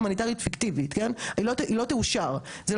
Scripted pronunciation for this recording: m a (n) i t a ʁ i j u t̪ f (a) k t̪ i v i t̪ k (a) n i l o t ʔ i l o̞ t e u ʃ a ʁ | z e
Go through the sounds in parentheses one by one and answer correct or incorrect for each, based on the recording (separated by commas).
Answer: correct, incorrect, incorrect